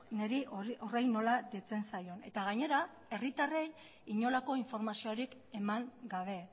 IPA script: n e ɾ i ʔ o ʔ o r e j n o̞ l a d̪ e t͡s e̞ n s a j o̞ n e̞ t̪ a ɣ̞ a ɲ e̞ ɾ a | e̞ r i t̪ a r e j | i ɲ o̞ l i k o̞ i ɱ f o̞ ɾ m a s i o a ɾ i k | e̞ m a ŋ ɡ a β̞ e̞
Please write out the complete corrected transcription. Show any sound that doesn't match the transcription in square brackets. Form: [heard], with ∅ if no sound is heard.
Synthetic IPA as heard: n e ɾ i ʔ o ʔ o r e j n o̞ l a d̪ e t͡s e̞ n s a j o̞ n e̞ t̪ a ɣ̞ a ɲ e̞ ɾ a | e̞ r i t̪ a r e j | i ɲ o̞ l [a] k o̞ i ɱ f o̞ ɾ m a s i o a ɾ i k | e̞ m a ŋ ɡ a β̞ e̞